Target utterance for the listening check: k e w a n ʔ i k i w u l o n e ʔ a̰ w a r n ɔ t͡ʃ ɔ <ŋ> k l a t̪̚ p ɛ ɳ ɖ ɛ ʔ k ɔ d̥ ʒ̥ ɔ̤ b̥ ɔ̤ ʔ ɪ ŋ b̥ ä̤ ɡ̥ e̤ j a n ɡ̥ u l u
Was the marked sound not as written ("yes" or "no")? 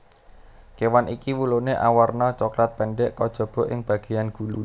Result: yes